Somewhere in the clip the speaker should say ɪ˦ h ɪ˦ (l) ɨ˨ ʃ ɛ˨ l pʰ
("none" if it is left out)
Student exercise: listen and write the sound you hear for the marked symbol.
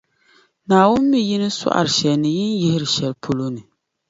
ɾ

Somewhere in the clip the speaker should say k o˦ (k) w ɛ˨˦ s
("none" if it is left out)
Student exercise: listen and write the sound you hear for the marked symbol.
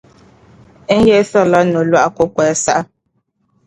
k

